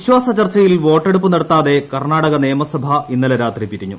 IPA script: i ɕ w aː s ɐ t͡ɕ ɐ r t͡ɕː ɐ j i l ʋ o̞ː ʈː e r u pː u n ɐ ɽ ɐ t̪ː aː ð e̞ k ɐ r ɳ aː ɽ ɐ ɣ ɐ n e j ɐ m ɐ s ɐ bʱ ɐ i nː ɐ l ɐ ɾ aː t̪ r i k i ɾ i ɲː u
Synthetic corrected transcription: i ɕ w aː s ɐ t͡ɕ ɐ r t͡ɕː ɐ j i l ʋ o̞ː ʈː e ɽ u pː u n ɐ ɽ ɐ t̪ː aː ð e̞ k ɐ r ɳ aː ɽ ɐ ɣ ɐ n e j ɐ m ɐ s ɐ bʱ ɐ i nː ɐ l ɐ ɾ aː t̪ r i p i ɾ i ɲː u

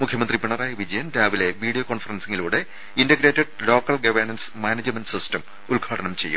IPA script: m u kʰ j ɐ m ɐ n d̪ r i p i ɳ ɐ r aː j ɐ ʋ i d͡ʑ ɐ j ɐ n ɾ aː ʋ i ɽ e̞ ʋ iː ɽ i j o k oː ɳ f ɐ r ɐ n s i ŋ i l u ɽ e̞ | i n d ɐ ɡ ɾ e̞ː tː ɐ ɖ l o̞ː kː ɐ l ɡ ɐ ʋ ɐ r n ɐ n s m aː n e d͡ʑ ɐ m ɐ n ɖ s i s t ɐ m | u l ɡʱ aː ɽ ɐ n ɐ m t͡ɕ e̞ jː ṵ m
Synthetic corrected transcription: m u kʰ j ɐ m ɐ n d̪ r i p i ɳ ɐ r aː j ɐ ʋ i d͡ʑ ɐ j ɐ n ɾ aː ʋ i l e̞ ʋ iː ɽ i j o k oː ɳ f ɐ r ɐ n s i ŋ i l uː ɽ e̞ | i n d ɐ ɡ ɾ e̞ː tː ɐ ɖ l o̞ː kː ɐ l ɡ ɐ ʋ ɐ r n ɐ n s m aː n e d͡ʑ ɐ m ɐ n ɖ s i s t ɐ m | u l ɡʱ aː ɽ ɐ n ɐ m t͡ɕ e̞ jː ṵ m

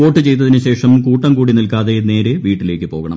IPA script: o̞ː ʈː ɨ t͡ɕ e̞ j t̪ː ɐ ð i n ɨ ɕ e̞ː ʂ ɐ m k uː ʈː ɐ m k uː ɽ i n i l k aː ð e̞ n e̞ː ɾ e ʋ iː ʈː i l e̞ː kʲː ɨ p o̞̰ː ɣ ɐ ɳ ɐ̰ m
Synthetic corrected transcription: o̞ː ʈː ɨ t͡ɕ e̞ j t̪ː ɐ ð i n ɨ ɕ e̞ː ʂ ɐ m k uː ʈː ɐ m k uː ɽ i n i l k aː ð e̞ n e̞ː ɾ e ʋ iː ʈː i l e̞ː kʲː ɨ p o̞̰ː ɣ ɐ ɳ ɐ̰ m

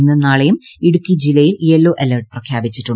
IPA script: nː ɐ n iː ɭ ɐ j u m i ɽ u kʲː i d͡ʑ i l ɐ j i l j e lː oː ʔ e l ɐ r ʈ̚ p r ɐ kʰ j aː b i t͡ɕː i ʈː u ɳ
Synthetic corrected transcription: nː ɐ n aː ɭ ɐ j u m i ɽ u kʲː i d͡ʑ i l ɐ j i l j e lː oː ʔ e l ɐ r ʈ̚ p r ɐ kʰ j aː b i t͡ɕː i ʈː u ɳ

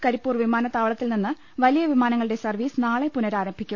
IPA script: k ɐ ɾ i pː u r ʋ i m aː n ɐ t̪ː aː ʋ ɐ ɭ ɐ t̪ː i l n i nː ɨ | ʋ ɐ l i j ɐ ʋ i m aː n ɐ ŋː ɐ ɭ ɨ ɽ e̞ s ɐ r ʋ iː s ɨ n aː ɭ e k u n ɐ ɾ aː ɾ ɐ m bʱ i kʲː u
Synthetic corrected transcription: k ɐ ɾ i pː uː r ʋ i m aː n ɐ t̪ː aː ʋ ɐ ɭ ɐ t̪ː i l n i nː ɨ | ʋ ɐ l i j ɐ ʋ i m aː n ɐ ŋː ɐ ɭ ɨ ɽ e̞ s ɐ r ʋ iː s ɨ n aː ɭ e p u n ɐ ɾ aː ɾ ɐ m bʱ i kʲː u

